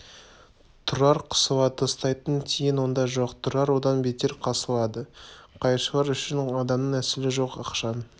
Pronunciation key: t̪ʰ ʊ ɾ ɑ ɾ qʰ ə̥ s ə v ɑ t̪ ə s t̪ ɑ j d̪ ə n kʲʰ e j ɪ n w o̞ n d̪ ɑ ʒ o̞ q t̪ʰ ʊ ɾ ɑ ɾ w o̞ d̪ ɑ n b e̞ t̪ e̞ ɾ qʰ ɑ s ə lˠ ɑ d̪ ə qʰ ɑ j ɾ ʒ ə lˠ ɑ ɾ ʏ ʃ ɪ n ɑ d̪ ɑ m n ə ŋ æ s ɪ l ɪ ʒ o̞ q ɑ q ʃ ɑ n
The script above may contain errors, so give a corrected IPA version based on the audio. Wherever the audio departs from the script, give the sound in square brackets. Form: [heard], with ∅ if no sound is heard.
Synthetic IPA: t̪ʰ ʊ ɾ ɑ ɾ qʰ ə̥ s ə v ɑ t̪ ə s t̪ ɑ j [t̪] ə n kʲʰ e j ɪ n w o̞ n d̪ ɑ ʒ o̞ q t̪ʰ ʊ ɾ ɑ ɾ w o̞ d̪ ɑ n b e̞ t̪ e̞ ɾ qʰ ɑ s ə lˠ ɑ d̪ ə qʰ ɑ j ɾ [ʃ] ə lˠ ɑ ɾ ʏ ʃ ɪ n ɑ d̪ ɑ m n ə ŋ æ s ɪ l ɪ ʒ o̞ q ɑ q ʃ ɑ n